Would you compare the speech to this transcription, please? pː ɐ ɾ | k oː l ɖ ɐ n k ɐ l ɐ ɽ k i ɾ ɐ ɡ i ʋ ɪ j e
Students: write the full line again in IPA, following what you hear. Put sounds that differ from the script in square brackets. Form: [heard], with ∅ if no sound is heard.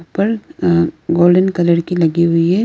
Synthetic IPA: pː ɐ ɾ | [ɡ] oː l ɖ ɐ n k ɐ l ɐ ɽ k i [l] ɐ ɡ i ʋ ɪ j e